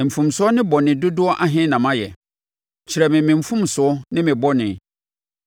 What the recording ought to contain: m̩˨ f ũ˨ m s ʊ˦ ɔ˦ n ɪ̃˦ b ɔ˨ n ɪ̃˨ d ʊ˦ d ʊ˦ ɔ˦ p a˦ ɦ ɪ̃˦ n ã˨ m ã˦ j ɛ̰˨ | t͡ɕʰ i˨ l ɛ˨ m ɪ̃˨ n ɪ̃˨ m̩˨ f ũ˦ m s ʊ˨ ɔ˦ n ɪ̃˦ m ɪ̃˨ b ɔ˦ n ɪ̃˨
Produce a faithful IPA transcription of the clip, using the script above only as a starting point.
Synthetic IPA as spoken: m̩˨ f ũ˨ m s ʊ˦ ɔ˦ n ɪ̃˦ b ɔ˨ n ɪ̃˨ d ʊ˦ d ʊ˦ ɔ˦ ʔ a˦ ɦ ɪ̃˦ n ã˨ m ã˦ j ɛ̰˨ | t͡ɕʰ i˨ ɾ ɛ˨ m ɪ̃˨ m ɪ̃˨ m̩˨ f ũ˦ m s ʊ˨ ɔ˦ n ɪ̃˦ m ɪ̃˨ b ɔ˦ n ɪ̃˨